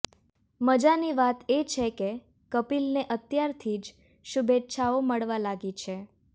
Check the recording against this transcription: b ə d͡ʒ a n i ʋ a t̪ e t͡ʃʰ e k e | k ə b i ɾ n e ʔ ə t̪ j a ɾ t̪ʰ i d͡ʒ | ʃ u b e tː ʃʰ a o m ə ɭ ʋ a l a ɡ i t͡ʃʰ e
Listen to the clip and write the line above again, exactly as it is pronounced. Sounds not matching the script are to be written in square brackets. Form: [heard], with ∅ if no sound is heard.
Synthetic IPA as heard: [m] ə d͡ʒ a n i ʋ a t̪ e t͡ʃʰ e k e | k ə [p] i [l] n e ʔ ə t̪ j a ɾ t̪ʰ i d͡ʒ | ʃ u b e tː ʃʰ a o m ə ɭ ʋ a l a ɡ i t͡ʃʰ e